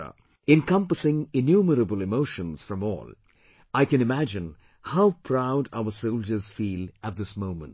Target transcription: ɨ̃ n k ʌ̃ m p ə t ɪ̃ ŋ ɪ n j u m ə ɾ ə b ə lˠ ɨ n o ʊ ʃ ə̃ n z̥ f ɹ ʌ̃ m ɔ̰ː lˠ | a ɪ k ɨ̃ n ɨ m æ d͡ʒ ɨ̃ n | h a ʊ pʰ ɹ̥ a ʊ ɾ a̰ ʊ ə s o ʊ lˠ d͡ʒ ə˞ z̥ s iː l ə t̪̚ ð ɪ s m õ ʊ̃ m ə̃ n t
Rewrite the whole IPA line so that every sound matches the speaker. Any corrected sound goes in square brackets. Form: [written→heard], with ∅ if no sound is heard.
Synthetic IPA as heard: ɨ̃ n k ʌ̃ m p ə [t→s] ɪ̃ ŋ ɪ n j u m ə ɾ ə b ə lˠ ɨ [n→m] o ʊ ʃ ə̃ n z̥ f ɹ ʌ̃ m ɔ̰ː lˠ | a ɪ k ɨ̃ n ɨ m æ d͡ʒ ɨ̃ n | h a ʊ pʰ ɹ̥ a ʊ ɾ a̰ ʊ ə s o ʊ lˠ d͡ʒ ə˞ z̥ [s→f] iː l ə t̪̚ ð ɪ s m õ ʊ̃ m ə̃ n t